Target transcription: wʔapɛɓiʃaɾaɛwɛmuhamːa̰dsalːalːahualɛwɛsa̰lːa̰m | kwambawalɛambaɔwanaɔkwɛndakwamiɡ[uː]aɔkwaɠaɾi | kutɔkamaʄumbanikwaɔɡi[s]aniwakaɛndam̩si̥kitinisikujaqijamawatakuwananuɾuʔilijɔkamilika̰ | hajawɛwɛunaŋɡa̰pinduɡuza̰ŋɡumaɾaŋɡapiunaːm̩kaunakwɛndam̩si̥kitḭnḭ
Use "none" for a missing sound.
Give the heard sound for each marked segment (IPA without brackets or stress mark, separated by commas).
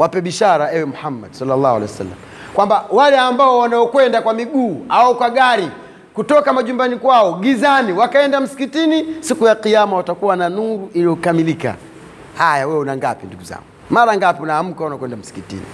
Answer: uː, z